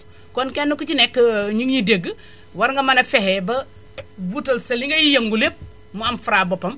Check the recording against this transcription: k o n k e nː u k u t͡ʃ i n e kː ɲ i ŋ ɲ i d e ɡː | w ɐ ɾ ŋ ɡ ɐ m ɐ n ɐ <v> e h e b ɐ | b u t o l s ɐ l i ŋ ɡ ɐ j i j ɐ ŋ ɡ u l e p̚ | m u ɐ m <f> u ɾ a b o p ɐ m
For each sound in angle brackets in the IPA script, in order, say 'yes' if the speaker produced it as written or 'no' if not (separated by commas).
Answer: no, yes